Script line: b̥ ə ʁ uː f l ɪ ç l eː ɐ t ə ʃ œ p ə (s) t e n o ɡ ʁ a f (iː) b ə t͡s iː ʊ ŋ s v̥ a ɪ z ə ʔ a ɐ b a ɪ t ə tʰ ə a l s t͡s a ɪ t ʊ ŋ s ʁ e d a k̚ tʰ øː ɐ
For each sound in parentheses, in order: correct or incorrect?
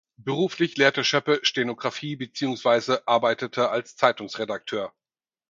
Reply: incorrect, correct

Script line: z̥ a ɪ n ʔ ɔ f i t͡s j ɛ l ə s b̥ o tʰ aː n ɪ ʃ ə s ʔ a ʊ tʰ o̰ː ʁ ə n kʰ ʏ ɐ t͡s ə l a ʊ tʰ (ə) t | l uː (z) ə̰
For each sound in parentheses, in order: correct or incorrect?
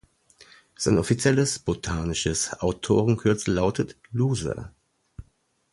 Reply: correct, correct

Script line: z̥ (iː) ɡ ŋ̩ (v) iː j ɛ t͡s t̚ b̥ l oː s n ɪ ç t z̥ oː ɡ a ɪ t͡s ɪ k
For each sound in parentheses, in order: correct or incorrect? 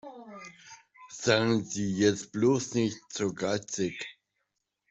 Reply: incorrect, incorrect

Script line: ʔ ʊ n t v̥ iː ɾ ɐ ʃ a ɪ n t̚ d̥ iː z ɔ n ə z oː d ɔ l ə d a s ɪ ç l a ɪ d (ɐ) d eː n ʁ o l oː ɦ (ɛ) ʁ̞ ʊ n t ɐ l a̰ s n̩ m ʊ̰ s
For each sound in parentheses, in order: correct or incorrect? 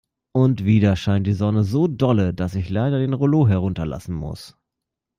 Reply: correct, correct

